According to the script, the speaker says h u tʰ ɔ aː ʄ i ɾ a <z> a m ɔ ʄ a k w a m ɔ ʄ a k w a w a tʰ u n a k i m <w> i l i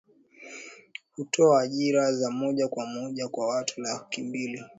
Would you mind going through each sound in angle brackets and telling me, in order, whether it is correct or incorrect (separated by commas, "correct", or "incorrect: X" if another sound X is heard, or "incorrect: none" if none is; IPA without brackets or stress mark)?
correct, incorrect: b